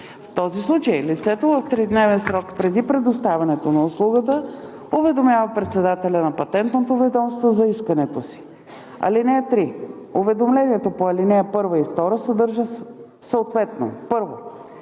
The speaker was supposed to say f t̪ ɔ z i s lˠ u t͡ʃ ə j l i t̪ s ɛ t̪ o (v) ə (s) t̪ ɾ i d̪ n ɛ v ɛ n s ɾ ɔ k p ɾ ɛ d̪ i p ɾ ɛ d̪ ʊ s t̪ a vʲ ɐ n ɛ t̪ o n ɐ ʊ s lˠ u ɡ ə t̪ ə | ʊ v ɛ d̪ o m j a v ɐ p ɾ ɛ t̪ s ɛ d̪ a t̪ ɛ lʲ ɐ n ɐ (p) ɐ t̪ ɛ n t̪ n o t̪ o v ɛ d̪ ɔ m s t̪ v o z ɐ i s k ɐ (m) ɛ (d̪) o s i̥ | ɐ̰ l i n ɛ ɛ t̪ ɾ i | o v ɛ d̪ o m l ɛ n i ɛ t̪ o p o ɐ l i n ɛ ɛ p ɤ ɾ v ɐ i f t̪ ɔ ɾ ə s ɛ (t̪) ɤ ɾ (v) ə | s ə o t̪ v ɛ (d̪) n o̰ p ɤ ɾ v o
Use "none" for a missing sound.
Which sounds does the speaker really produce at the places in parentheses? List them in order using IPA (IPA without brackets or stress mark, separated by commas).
v, f, p, n, t̪, d̪, ʒ, t̪